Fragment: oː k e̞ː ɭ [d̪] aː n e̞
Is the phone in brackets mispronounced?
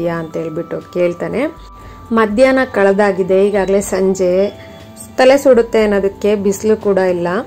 yes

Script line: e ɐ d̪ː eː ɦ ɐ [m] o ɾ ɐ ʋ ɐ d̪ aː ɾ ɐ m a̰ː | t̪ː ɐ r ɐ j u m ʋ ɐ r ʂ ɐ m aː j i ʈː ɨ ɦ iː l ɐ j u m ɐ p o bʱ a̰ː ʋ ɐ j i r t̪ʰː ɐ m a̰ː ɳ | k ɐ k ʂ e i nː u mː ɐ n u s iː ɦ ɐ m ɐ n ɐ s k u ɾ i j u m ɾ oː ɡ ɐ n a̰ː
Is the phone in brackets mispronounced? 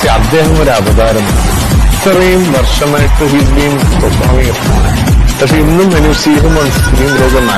no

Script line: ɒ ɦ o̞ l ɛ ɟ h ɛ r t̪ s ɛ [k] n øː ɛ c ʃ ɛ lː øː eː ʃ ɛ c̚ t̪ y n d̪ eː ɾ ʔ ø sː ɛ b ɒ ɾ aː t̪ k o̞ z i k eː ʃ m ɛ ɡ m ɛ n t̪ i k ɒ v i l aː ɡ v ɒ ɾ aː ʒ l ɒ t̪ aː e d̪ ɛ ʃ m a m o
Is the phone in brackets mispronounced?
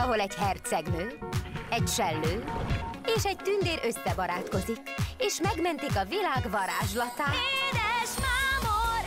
yes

